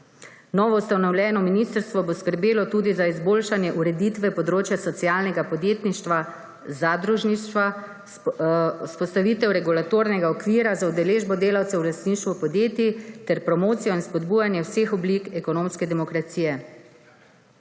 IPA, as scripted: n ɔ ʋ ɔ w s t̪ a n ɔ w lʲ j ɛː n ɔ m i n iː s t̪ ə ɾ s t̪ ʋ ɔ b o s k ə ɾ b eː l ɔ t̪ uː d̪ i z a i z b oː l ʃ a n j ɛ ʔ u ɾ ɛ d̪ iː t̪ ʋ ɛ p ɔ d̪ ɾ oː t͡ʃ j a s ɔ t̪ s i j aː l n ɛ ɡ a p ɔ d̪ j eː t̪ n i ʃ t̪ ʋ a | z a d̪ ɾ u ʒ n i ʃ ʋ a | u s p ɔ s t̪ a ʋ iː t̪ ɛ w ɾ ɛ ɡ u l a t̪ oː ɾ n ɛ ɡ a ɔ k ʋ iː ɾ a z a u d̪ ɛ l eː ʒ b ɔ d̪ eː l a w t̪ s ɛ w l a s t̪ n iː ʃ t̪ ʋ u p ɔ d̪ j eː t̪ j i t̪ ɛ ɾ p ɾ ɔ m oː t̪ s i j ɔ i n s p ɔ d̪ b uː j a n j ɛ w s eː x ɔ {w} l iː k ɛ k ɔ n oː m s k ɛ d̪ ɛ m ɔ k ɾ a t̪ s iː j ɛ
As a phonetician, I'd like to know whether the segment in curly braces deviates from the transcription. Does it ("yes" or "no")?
yes